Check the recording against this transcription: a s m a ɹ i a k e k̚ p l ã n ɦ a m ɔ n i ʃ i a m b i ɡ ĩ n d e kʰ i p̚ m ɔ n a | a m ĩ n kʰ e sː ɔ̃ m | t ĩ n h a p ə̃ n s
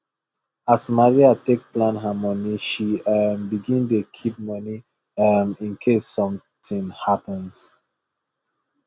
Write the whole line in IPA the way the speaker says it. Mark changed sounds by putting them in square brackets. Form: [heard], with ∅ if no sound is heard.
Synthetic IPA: a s m a ɹ i a [t] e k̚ p l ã n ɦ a m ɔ n i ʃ i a m b i ɡ ĩ n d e kʰ i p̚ m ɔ n [i] | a m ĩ n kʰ e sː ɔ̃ m | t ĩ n h a p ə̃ n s